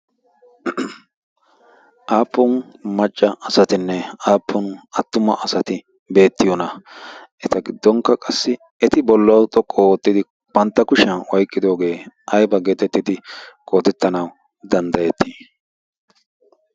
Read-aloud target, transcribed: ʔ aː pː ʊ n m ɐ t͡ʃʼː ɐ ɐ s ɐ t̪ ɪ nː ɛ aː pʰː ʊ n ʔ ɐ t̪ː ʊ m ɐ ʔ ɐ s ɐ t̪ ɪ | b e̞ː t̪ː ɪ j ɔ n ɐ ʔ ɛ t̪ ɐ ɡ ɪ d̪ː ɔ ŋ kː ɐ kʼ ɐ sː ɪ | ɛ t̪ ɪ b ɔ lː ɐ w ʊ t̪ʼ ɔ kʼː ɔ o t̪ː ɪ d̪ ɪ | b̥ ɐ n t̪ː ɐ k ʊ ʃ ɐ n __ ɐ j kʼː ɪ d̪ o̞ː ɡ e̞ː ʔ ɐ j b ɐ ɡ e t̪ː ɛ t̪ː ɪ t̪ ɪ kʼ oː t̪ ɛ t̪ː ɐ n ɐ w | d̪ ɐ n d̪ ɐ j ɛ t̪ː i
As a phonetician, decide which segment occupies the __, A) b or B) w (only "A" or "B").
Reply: B